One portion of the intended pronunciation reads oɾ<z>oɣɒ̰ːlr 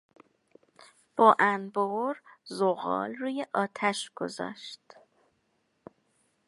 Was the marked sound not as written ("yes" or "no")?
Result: no